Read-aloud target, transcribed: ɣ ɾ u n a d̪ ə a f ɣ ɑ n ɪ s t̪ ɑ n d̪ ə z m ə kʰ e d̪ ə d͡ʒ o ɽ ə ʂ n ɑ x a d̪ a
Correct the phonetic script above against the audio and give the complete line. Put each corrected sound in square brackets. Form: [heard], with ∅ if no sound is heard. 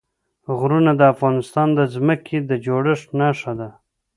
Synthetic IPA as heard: ɣ ɾ u n a d̪ ə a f ɣ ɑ n ɪ s t̪ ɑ n d̪ ə z m ə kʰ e d̪ ə d͡ʒ o ɽ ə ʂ n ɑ [ʂ] a d̪ a